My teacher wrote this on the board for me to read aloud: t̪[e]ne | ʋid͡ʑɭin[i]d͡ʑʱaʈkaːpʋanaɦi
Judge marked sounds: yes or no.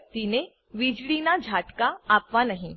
no, no

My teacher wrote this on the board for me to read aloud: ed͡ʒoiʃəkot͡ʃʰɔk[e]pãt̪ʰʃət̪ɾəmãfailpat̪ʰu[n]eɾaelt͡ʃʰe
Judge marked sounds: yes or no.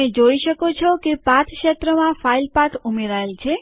yes, no

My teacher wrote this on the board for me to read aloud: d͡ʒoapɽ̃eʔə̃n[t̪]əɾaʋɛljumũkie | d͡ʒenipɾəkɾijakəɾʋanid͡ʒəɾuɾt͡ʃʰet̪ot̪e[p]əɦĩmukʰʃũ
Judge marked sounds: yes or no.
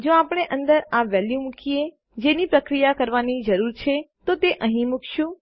no, no

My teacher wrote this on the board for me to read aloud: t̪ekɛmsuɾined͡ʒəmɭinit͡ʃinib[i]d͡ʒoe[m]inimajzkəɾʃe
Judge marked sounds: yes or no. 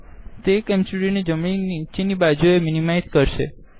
no, yes

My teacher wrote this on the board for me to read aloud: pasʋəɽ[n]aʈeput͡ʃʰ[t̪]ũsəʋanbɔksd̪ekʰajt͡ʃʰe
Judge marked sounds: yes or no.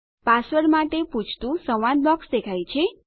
no, yes

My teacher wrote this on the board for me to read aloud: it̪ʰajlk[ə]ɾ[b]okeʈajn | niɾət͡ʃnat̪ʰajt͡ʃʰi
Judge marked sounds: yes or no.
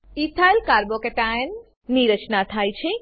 no, yes

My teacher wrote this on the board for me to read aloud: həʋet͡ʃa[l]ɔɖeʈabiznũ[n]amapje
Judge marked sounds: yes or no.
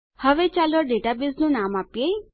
yes, yes

